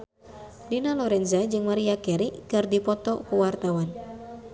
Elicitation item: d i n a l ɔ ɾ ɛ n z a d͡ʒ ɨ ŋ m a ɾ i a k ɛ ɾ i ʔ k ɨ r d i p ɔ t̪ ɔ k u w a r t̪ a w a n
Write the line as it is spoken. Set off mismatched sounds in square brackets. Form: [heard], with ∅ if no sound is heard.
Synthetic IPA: d i n a l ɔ ɾ ɛ n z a d͡ʒ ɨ ŋ m a ɾ i a k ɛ ɾ i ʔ k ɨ r d i p ɔ t̪ ɔ k u w a r t̪ a w a n